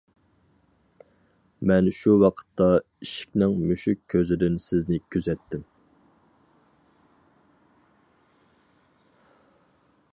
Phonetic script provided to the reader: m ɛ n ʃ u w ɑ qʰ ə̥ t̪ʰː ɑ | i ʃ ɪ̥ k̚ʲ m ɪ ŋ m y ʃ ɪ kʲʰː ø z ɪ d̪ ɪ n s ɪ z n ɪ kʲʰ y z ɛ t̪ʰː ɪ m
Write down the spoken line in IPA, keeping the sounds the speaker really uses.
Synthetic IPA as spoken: m ɛ n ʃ u w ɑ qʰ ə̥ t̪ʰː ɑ | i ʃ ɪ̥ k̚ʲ n ɪ ŋ m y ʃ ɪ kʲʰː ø z ɪ d̪ ɪ n s ɪ z n ɪ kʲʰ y z ɛ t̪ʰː ɪ m